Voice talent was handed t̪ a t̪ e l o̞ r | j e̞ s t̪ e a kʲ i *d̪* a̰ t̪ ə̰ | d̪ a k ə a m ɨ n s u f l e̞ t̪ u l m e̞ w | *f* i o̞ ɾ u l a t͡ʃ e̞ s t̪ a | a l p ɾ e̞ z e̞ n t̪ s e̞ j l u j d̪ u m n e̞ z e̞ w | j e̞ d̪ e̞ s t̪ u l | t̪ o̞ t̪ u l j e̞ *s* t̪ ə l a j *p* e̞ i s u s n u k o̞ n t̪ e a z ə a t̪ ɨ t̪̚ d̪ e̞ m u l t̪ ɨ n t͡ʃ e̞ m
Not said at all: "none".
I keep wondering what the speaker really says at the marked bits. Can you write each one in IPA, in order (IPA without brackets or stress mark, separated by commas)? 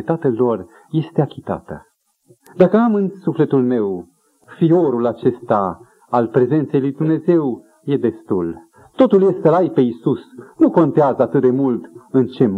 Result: t̪, f, s, p